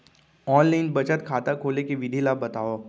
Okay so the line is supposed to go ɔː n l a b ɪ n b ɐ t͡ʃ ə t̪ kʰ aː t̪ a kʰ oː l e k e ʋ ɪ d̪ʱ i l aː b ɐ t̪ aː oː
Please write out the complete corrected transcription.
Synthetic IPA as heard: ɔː n l a ɪ n b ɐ t͡ʃ ə t̪ kʰ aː t̪ a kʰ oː l e k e ʋ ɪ d̪ʱ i l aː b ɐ t̪ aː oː